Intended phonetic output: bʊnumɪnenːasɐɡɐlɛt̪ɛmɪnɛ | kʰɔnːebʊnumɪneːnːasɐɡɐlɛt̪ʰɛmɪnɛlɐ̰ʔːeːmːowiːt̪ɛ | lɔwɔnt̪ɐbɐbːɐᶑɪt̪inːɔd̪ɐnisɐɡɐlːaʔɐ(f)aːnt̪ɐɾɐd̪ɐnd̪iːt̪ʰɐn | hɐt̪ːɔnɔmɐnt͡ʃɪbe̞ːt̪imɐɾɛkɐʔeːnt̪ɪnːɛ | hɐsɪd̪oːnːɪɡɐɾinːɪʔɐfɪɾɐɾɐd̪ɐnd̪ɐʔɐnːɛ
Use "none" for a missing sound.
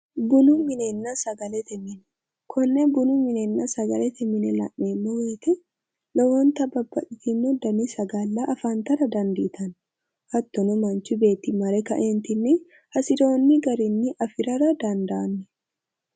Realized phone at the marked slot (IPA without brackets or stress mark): f